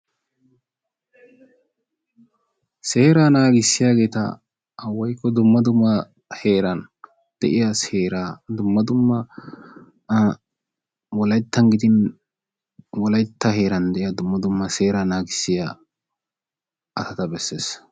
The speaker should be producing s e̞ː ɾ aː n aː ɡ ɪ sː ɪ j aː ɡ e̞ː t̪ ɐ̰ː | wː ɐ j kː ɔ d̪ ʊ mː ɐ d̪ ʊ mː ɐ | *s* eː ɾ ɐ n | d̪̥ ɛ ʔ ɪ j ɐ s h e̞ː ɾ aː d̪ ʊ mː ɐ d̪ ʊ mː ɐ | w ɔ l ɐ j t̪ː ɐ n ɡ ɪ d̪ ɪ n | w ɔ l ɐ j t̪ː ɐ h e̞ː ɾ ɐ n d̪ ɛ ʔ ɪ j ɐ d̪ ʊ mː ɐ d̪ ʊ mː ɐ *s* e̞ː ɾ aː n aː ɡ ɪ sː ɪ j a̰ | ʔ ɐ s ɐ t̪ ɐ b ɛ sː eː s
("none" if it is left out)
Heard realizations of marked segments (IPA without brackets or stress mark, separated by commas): h, s